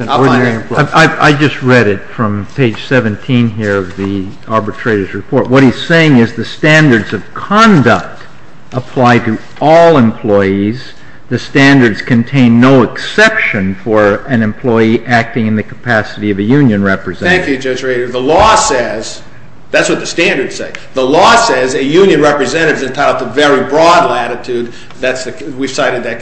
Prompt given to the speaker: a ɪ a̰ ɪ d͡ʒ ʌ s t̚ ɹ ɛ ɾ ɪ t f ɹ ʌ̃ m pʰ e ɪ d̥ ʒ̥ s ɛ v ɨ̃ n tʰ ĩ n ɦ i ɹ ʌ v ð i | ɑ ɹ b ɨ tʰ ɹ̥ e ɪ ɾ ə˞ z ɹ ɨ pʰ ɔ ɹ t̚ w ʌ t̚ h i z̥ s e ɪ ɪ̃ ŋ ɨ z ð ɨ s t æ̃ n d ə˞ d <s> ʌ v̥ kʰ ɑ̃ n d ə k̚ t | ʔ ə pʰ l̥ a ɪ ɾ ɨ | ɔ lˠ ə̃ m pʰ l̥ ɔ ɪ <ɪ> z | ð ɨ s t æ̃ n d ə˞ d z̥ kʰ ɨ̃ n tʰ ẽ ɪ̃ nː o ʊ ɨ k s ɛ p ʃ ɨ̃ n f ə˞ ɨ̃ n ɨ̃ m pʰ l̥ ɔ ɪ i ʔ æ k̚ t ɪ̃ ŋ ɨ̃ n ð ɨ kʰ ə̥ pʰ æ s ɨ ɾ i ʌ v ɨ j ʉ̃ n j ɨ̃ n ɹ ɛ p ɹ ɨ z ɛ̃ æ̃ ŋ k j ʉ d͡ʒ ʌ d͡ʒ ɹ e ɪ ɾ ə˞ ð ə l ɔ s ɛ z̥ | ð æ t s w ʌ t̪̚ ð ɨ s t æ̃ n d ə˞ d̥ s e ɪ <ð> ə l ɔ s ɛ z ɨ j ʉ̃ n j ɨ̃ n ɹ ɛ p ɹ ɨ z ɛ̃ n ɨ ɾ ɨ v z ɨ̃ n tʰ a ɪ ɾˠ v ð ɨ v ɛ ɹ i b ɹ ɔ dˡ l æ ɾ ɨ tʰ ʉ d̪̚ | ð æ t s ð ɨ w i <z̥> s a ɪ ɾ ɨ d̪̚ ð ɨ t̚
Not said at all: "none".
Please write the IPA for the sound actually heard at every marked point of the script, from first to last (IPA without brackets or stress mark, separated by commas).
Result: z, i, ð, v̥